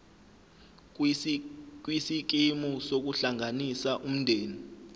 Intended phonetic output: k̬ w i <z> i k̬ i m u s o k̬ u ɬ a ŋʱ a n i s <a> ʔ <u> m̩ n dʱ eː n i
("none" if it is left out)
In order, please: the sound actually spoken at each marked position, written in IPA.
s, a, u

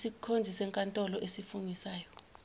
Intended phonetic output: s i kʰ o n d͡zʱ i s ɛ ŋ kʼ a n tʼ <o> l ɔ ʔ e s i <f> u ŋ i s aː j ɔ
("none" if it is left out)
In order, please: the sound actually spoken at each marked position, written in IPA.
ɔ, f

